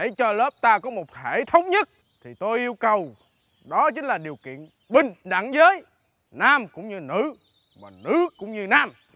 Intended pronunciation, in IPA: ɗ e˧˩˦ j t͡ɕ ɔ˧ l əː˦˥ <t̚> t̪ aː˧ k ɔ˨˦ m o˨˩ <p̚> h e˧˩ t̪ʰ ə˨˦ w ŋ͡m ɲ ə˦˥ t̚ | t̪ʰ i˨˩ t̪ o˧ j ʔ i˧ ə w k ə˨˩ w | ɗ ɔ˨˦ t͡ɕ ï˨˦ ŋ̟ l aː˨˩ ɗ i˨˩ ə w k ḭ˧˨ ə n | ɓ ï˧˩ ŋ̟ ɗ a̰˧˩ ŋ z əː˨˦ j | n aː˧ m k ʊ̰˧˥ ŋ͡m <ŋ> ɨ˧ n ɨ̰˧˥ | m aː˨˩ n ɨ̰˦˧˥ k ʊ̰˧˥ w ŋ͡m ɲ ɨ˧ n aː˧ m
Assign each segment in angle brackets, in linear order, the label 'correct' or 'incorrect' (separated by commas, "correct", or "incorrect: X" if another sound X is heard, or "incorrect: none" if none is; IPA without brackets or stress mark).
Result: incorrect: p̚, incorrect: t̚, incorrect: ɲ